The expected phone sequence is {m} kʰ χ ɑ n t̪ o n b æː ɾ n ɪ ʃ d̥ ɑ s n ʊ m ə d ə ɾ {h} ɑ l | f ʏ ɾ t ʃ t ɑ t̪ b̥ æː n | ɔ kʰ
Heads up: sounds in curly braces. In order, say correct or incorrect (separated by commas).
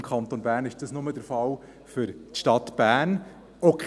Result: correct, incorrect